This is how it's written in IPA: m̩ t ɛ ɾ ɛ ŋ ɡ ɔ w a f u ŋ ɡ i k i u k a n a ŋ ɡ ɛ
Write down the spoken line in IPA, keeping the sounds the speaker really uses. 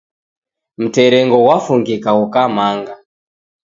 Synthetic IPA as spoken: m̩ t ɛ ɾ ɛ ŋ ɡ ɔ w a f u ŋ ɡ i k a u k a m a ŋ ɡ a